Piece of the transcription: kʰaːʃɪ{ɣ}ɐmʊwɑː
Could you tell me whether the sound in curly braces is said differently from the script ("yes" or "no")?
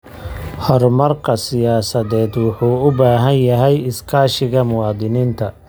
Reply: no